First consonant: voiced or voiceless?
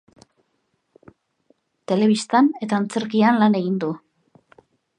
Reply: voiceless